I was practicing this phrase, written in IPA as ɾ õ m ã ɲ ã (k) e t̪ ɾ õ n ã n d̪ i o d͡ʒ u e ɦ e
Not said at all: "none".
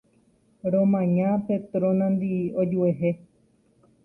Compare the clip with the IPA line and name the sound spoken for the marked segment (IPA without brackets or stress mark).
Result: p